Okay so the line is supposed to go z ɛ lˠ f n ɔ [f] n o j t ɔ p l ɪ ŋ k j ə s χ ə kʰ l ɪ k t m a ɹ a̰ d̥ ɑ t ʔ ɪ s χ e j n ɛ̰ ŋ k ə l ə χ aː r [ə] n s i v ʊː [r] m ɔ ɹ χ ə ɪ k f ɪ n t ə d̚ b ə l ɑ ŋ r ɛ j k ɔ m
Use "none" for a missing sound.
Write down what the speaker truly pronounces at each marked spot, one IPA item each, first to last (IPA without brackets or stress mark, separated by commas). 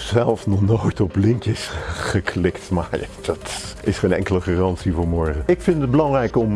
χ, ɑ, ɹ